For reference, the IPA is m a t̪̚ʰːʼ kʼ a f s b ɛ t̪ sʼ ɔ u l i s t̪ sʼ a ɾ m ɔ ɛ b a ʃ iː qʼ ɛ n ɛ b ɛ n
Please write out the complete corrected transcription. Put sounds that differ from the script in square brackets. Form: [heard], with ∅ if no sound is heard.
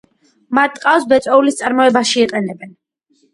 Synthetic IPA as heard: m a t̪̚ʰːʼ [qʼ] a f s b ɛ t̪ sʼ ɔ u l i s t̪ sʼ a ɾ m ɔ ɛ b a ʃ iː qʼ ɛ n ɛ b ɛ n